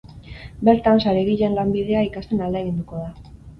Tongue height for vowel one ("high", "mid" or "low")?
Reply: mid